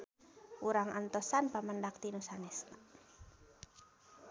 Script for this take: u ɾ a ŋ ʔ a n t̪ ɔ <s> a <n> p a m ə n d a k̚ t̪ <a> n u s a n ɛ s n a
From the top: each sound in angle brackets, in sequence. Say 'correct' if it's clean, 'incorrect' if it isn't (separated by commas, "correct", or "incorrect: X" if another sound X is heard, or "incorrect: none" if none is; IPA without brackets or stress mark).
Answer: correct, correct, incorrect: i